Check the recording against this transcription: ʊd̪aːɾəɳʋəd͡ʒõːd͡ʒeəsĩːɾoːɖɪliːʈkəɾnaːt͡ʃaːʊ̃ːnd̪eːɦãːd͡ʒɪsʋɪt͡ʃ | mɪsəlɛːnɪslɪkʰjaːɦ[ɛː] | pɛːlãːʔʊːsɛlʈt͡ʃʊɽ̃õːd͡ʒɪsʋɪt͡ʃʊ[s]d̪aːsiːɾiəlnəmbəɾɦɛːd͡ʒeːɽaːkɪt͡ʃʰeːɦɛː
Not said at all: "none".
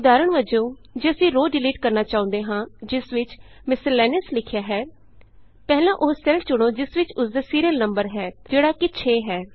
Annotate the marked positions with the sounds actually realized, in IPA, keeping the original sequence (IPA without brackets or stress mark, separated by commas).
ɛː, s